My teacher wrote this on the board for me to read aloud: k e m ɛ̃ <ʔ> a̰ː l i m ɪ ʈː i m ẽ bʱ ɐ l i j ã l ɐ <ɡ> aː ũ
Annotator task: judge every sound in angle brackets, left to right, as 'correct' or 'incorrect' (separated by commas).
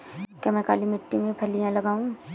incorrect, correct